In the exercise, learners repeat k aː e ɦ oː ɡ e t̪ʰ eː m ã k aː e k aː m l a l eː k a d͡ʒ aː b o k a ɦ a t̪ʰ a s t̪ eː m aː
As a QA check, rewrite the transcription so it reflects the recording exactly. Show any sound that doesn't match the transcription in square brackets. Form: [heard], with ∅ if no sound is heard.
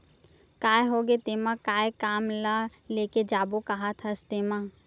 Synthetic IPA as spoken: k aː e ɦ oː ɡ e [t̪] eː m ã k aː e k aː m l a l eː k [e] d͡ʒ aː b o k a ɦ a t̪ʰ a s t̪ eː m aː